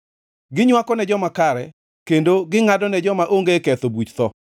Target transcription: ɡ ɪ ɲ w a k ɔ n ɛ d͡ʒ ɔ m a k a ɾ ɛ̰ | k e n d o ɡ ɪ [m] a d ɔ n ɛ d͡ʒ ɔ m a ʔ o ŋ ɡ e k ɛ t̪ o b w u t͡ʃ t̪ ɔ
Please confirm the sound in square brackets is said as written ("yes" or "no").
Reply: no